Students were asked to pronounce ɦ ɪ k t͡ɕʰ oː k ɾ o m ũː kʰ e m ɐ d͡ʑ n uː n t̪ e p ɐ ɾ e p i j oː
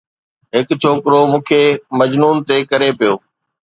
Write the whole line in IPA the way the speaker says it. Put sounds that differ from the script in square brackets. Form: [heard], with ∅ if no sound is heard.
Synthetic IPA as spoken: ɦ ɪ k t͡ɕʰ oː k ɾ o m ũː kʰ e m ɐ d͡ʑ n uː n t̪ e [k] ɐ ɾ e p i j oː